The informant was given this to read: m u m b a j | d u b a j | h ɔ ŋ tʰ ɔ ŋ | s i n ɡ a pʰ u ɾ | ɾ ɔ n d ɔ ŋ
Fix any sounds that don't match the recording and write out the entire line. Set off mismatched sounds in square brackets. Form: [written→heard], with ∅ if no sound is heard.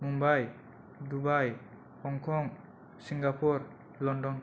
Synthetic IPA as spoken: m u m b a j | d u b a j | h ɔ ŋ [tʰ→kʰ] ɔ ŋ | s i [n→ŋ] ɡ a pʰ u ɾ | [ɾ→l] ɔ n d ɔ [ŋ→n]